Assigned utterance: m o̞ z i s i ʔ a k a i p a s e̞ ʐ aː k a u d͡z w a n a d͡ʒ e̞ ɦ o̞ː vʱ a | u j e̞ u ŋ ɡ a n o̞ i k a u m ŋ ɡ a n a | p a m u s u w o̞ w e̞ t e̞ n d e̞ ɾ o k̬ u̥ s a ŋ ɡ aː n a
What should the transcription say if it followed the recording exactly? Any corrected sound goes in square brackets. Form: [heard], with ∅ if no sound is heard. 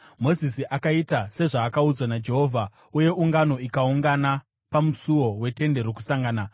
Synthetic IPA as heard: m o̞ z i s i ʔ a k a i [t] a s e̞ ʐ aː k a u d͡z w a n a d͡ʒ e̞ ɦ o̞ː vʱ a | u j e̞ u ŋ ɡ a n o̞ i k a u [∅] ŋ ɡ a n a | p a m u s u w o̞ w e̞ t e̞ n d e̞ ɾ o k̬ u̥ s a ŋ ɡ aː n a